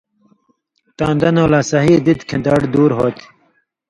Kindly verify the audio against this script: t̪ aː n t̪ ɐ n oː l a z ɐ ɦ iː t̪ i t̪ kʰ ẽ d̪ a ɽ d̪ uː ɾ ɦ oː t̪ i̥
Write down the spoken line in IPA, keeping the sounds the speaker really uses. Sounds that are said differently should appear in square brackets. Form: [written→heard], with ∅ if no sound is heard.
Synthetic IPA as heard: t̪ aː n [t̪→d̪] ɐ n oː l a [z→s] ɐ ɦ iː [t̪→d̪] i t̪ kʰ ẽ d̪ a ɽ d̪ uː ɾ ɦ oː t̪ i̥

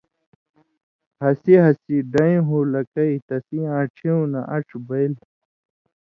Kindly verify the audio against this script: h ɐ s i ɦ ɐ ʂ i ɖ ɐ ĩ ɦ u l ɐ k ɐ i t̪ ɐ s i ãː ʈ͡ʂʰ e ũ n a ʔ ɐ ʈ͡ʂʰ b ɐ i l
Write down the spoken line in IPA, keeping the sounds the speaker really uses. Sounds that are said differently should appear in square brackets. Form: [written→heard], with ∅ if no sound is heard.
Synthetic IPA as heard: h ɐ s i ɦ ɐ [ʂ→s] i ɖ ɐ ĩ ɦ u l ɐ k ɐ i t̪ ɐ s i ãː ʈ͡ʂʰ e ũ n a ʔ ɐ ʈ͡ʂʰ b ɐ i l

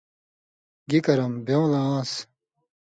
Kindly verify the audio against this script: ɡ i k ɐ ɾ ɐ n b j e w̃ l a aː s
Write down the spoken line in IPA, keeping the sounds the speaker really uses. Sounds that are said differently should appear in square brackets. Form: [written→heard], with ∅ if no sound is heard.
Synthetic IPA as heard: ɡ i k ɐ ɾ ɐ [n→m] b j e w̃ l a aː s

